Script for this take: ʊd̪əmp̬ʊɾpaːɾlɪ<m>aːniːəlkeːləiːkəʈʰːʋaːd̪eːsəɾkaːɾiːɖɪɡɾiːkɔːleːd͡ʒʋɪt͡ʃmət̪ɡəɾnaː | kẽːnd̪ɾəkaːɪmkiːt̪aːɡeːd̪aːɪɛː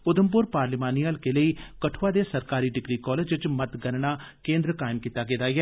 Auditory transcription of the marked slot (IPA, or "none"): m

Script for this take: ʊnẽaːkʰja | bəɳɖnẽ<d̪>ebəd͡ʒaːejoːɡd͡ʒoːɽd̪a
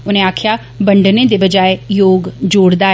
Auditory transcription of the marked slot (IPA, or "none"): d̪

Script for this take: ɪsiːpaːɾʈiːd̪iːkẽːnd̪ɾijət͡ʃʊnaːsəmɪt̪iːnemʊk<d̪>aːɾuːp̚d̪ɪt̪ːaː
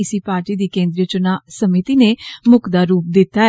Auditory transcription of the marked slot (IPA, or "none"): d̪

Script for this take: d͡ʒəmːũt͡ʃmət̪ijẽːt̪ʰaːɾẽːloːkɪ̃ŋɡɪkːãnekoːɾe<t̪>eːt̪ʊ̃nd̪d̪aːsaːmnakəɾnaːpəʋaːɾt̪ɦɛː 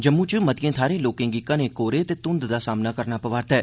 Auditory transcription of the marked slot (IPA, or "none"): t̪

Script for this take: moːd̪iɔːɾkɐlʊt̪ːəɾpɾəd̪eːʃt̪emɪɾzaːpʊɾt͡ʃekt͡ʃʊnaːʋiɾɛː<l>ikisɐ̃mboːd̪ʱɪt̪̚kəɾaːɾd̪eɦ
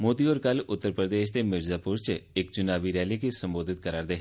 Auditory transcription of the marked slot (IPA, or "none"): l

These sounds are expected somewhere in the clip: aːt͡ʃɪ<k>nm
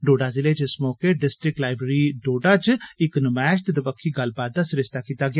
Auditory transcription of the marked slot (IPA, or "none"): k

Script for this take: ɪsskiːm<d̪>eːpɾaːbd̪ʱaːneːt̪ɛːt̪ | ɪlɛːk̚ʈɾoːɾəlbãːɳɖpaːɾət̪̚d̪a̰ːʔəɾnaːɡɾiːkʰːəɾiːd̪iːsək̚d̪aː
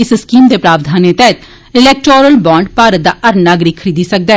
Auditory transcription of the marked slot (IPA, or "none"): d̪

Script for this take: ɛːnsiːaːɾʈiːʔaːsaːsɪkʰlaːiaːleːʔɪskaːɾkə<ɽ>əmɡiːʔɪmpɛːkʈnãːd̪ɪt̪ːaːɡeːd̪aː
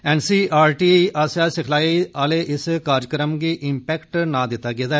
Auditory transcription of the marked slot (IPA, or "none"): ɾ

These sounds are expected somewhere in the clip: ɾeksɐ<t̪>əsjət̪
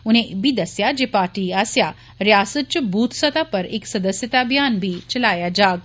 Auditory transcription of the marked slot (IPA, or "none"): d̪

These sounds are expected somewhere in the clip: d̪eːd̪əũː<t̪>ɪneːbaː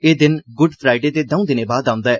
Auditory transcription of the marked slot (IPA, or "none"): d̪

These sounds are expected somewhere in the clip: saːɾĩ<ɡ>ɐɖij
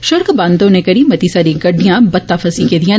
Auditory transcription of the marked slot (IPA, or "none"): ɡ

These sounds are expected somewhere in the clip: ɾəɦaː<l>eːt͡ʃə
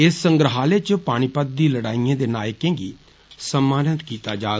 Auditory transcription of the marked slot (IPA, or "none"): l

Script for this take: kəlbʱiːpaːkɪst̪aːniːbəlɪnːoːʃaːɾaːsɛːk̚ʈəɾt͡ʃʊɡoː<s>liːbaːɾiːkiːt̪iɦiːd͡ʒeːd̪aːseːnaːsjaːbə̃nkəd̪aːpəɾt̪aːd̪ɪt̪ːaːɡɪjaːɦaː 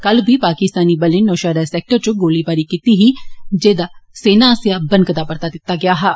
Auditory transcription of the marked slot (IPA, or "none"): none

